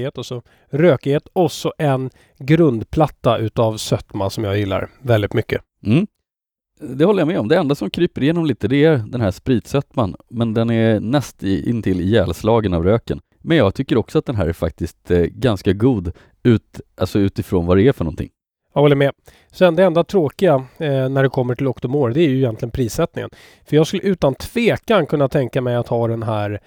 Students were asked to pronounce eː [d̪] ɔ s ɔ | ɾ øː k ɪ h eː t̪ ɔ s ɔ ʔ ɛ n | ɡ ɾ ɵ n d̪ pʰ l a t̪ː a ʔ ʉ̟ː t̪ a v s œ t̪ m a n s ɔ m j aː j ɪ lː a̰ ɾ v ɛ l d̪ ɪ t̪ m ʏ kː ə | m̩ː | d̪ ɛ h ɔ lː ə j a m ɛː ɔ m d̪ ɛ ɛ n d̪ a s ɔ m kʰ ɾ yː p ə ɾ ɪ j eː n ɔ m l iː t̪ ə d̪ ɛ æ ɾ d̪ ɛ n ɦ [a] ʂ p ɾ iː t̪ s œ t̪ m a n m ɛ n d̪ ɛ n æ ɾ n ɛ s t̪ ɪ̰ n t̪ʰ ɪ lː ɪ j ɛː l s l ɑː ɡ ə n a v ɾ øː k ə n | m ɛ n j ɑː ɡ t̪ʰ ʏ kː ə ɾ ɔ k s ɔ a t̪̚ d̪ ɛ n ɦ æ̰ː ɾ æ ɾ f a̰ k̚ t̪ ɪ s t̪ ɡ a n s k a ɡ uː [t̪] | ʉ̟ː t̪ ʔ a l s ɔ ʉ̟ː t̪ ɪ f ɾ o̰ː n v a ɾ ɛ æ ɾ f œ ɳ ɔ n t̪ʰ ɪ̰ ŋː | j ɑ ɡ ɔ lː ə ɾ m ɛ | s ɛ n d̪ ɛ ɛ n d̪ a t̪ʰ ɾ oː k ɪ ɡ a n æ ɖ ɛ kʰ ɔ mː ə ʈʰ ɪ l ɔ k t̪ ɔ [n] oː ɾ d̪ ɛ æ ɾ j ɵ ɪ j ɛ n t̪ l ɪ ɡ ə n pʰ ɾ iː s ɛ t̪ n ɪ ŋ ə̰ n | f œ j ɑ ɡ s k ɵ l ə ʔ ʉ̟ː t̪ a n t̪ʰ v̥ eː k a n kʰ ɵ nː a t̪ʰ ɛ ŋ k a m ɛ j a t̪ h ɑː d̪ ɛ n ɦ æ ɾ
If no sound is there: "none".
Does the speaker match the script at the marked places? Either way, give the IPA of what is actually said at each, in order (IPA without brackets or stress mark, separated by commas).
t̪, æ, d̪, m